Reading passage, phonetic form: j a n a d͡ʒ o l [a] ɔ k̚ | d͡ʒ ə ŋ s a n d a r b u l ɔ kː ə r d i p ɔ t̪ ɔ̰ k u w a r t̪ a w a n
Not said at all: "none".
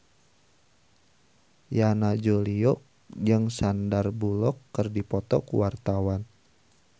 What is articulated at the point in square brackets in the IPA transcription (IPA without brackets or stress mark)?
i